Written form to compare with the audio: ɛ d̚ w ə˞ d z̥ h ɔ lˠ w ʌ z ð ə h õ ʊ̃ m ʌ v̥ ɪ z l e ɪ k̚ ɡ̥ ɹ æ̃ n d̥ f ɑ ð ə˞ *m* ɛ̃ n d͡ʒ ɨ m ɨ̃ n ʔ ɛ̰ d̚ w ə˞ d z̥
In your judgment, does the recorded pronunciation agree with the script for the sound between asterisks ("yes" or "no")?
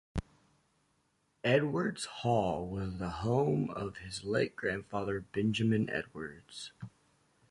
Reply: no